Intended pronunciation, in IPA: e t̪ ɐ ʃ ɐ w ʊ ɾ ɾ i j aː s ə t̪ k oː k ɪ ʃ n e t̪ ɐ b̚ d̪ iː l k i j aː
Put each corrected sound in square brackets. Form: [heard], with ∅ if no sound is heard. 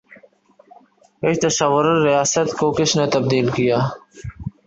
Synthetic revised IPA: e t̪ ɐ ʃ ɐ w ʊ ɾ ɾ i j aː s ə t̪ k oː k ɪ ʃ n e t̪ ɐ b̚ d̪ iː l k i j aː